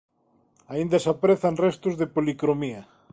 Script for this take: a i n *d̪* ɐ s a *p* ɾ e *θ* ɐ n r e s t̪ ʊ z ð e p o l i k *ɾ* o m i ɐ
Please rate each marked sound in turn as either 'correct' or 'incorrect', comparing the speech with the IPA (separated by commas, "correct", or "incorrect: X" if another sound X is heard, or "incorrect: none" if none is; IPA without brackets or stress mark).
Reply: correct, correct, correct, correct